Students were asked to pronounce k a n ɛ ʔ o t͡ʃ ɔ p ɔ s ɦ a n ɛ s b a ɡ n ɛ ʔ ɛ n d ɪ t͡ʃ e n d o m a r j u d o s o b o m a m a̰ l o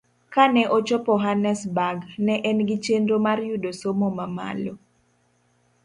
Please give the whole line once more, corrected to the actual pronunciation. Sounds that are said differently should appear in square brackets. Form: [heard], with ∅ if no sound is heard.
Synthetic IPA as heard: k a n ɛ ʔ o t͡ʃ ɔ p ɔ [∅] ɦ a n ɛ s b a ɡ n ɛ ʔ ɛ n [ɡ] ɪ t͡ʃ e n d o m a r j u d o s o [m] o m a m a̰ l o